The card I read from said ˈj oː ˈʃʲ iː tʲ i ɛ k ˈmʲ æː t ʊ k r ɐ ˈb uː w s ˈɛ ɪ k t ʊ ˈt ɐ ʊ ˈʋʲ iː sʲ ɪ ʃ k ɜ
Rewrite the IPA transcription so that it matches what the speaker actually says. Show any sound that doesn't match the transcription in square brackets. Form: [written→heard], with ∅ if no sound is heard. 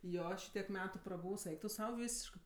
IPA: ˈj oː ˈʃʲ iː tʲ i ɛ k ˈmʲ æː t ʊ [k→p] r ɐ ˈb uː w s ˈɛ ɪ k t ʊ [ˈt→ˈs] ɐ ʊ ˈʋʲ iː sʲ ɪ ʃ k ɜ

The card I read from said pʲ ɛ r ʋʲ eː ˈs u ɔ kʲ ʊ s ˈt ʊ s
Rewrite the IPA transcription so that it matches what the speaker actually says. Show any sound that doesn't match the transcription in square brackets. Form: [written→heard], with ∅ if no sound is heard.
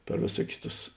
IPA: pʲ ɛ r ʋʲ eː ˈs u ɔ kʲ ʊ s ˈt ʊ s

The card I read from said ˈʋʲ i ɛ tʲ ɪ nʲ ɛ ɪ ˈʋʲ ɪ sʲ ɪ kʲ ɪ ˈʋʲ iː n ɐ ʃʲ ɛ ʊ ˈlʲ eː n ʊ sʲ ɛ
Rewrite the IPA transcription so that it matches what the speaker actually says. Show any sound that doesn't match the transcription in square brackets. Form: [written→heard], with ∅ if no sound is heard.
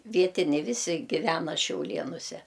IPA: ˈʋʲ i ɛ tʲ ɪ nʲ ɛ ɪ ˈʋʲ ɪ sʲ ɪ [kʲ→ɡʲ] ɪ ˈʋʲ [iː→æː] n ɐ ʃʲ ɛ ʊ ˈlʲ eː n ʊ sʲ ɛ

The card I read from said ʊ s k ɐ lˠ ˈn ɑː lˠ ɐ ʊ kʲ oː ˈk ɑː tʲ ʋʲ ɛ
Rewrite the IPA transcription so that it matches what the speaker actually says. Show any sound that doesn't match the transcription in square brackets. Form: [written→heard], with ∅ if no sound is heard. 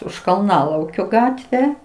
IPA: ʊ [s→ʃ] k ɐ lˠ ˈn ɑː lˠ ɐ ʊ kʲ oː [ˈk→ˈɡ] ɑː tʲ ʋʲ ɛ

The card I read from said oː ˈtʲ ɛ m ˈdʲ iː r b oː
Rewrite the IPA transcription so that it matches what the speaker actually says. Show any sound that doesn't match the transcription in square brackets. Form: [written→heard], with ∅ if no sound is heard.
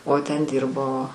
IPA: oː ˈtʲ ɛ [m→n] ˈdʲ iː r b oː

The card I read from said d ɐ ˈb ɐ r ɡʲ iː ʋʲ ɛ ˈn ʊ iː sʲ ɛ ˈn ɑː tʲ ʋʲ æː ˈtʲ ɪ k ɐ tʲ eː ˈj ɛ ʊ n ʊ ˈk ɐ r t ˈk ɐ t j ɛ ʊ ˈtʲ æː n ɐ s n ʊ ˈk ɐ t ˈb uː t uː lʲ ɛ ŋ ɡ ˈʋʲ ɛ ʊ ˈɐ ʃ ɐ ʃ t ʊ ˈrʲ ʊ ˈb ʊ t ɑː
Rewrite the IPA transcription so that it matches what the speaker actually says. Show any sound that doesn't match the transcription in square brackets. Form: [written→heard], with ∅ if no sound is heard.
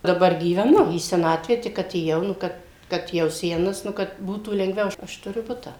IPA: d ɐ ˈb ɐ r ɡʲ iː ʋʲ ɛ ˈn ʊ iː sʲ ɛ ˈn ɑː tʲ ʋʲ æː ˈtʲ ɪ k ɐ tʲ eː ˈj ɛ ʊ n ʊ ˈk ɐ [r→∅] t ˈk ɐ t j ɛ ʊ [ˈtʲ→ˈsʲ] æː n ɐ s n ʊ ˈk ɐ t ˈb uː t uː lʲ ɛ ŋ ɡ ˈʋʲ ɛ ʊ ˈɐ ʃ ɐ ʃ t ʊ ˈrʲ ʊ ˈb ʊ t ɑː

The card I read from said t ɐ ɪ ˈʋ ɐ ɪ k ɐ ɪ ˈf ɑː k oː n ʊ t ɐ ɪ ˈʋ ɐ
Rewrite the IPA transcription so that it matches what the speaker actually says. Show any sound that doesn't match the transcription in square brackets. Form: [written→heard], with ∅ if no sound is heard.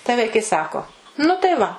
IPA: t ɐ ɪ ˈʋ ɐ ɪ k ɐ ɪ [ˈf→ˈs] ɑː k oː n ʊ t ɐ ɪ ˈʋ ɐ

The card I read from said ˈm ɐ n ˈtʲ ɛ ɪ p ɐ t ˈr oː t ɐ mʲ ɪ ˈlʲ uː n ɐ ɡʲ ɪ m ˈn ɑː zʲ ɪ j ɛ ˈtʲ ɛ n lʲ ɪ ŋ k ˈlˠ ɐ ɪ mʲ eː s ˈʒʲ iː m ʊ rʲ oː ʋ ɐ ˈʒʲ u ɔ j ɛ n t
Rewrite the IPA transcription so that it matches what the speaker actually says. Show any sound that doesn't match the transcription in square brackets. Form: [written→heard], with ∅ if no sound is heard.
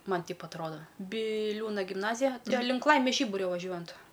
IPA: ˈm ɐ n ˈtʲ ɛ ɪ p ɐ t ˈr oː [t→d] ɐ [mʲ→bʲ] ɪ ˈlʲ uː n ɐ ɡʲ ɪ m ˈn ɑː zʲ ɪ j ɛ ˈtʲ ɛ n lʲ ɪ ŋ k ˈlˠ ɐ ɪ mʲ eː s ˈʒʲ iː [m→b] ʊ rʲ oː ʋ ɐ ˈʒʲ u ɔ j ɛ n t

